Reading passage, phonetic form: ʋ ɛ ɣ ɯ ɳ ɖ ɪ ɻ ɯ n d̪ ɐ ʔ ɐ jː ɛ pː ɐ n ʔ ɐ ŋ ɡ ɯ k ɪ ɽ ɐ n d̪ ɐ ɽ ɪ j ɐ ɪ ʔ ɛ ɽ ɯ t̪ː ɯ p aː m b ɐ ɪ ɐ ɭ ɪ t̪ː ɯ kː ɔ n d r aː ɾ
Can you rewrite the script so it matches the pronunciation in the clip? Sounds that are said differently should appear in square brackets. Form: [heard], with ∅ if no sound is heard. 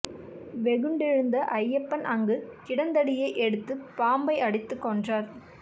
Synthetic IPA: ʋ ɛ ɣ ɯ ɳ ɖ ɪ ɻ ɯ n d̪ ɐ ʔ ɐ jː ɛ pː ɐ n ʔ ɐ ŋ ɡ ɯ k ɪ ɽ ɐ n d̪ ɐ ɽ ɪ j ɐ ɪ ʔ ɛ ɽ ɯ t̪ː ɯ p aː m b ɐ ɪ ɐ [ɽ] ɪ t̪ː ɯ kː ɔ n d r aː ɾ